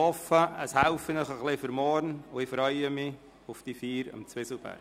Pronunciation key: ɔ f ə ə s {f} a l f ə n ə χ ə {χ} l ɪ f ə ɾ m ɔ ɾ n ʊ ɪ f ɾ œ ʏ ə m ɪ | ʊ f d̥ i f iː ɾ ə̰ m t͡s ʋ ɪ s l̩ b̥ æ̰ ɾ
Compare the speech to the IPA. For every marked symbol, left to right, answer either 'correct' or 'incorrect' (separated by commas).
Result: incorrect, correct